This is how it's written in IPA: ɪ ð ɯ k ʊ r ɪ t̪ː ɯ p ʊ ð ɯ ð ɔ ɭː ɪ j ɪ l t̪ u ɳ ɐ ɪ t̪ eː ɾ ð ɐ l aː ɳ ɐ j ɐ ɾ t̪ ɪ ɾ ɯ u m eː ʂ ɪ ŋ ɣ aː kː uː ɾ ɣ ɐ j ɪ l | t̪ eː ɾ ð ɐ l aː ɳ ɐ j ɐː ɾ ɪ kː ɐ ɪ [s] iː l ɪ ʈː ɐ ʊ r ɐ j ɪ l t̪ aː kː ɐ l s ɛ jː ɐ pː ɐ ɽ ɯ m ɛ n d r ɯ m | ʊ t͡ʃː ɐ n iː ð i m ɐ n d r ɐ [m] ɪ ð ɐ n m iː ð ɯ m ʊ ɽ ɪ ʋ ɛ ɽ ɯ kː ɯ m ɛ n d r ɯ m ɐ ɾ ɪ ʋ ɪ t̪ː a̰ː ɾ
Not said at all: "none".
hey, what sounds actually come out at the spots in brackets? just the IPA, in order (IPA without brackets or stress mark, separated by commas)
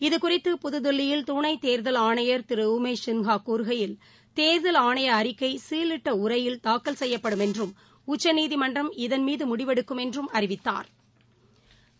s, m